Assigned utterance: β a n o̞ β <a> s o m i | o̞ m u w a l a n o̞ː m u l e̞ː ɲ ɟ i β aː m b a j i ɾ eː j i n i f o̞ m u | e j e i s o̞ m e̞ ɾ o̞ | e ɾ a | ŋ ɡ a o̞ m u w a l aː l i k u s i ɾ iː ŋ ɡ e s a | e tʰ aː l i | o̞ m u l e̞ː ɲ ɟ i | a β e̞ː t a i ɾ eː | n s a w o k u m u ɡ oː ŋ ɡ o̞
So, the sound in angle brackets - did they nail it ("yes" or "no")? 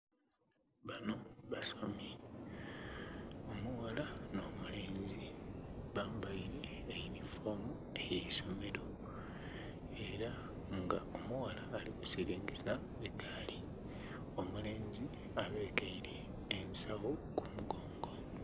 yes